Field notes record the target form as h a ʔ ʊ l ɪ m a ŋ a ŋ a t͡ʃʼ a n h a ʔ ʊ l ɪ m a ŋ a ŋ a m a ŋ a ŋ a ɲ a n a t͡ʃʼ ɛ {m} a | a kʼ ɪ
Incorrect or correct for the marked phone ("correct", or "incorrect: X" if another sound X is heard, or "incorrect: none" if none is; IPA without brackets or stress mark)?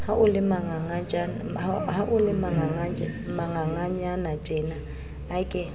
incorrect: n